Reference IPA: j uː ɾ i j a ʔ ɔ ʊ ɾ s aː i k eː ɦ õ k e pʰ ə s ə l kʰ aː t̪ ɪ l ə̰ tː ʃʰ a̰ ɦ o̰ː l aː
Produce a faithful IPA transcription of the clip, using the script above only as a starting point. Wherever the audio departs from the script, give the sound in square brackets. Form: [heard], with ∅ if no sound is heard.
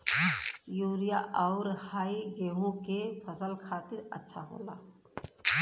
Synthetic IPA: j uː ɾ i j a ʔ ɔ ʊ ɾ [h] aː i [ɡ] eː ɦ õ k e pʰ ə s ə l kʰ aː t̪ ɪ [ɾ] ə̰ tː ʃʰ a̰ ɦ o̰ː l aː